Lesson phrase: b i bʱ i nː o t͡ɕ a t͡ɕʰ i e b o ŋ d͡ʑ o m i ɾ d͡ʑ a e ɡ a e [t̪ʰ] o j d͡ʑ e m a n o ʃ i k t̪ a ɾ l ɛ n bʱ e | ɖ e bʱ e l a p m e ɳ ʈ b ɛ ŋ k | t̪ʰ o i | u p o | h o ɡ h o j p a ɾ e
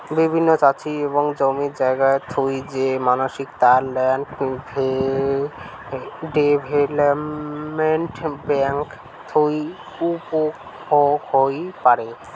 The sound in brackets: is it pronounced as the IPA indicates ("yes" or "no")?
yes